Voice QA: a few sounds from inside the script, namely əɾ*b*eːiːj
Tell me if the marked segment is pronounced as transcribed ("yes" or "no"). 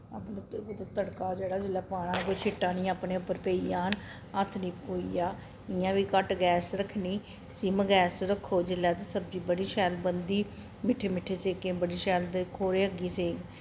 no